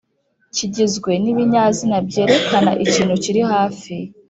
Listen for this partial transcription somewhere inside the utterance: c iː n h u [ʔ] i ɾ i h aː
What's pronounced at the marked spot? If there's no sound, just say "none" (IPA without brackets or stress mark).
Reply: c